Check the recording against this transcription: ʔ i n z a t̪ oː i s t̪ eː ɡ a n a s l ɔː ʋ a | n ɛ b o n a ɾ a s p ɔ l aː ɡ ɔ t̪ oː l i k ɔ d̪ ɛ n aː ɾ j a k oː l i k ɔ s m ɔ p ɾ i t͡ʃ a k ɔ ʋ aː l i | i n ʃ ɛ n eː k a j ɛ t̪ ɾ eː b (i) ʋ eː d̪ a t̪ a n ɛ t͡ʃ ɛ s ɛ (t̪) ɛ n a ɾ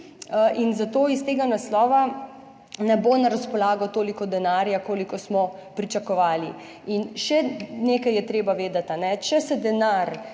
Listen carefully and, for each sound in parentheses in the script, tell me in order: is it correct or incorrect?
incorrect: a, incorrect: d̪

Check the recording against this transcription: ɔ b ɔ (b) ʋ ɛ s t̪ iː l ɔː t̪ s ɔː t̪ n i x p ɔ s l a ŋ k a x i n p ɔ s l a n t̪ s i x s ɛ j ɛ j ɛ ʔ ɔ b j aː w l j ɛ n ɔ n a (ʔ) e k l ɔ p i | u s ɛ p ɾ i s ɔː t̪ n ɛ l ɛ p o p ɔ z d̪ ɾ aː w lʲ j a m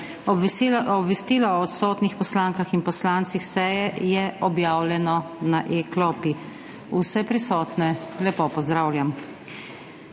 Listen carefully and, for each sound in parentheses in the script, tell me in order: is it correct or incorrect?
correct, correct

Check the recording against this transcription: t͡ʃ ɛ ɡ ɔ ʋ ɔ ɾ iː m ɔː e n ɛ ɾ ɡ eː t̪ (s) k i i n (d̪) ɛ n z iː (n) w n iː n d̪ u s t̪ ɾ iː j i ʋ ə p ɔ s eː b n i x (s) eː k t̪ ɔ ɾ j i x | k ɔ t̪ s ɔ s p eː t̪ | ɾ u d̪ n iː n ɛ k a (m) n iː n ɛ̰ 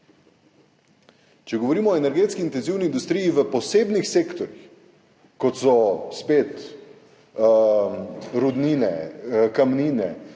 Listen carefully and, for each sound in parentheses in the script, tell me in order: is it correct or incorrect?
correct, incorrect: t̪, incorrect: none, correct, correct

